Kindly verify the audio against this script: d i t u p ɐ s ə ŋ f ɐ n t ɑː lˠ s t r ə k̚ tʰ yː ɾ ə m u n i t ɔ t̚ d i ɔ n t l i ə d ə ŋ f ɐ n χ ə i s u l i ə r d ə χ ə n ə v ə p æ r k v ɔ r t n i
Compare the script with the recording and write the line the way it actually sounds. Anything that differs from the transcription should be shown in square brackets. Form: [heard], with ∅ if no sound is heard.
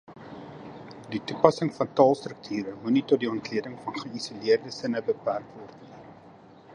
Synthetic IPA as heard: d i t u p ɐ s ə ŋ f ɐ n t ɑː lˠ s t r ə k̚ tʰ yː ɾ ə m u n i t ɔ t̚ d i ɔ n t l i ə d ə ŋ f ɐ n χ ə i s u l i ə r d ə [s] ə n ə [b] ə p æ r k v ɔ r t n i